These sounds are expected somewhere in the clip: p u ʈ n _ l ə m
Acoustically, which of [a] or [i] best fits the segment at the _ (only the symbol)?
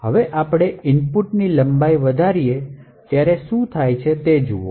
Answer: i